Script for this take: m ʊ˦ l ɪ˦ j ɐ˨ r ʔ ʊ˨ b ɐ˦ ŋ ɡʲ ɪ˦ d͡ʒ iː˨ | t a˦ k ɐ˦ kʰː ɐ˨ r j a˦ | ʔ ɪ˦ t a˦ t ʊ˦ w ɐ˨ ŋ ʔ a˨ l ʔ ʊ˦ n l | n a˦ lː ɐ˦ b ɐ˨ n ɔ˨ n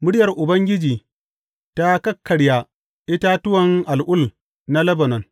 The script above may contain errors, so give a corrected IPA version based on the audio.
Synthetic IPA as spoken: m ʊ˦ ɽ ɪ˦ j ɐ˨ r ʔ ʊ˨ b ɐ˦ ŋ ɡʲ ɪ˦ d͡ʒ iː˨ | t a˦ k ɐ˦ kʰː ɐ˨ ɽ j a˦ | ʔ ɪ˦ t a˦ t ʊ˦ w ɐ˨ ŋ ʔ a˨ l ʔ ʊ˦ l | n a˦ l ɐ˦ b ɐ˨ n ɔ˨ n